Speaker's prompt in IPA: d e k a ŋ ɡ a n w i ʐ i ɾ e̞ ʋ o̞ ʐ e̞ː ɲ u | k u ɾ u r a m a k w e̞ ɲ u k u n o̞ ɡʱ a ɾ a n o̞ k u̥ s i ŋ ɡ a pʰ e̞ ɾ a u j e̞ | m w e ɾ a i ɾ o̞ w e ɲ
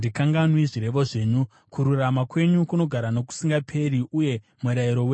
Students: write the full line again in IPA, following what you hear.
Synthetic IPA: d i k a ŋ ɡ a n w i ʐ i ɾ e̞ ʋ o̞ ʐ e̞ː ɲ u | k u ɾ u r a m a k w e̞ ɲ u k u n o̞ ɡʱ a ɾ a n o̞ k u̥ s i ŋ ɡ a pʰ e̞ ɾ i u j e̞ | m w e ɾ a i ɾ o̞ w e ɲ